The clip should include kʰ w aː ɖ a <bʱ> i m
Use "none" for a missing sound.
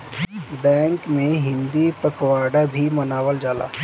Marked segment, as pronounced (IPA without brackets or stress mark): bʱ